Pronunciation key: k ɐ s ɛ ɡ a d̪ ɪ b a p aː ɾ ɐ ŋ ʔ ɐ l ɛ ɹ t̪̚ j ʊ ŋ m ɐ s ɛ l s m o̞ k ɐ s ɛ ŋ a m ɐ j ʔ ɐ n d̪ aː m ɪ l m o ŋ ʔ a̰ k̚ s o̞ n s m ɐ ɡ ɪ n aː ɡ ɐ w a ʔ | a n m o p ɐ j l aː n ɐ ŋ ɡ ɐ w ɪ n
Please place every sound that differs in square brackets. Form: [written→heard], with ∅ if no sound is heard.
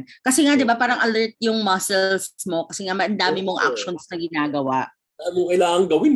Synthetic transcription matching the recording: k ɐ s ɛ [ɡ→ŋ] a d̪ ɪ b a p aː ɾ ɐ ŋ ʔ ɐ l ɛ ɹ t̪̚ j ʊ ŋ m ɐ s ɛ l s m o̞ k ɐ s ɛ ŋ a m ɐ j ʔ ɐ n d̪ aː m ɪ [l→∅] m o ŋ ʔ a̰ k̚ [s→ʃ] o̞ n s [m→n] ɐ ɡ ɪ n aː ɡ ɐ w a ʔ | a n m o [p→k] ɐ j l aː [n→ŋ] ɐ ŋ ɡ ɐ w ɪ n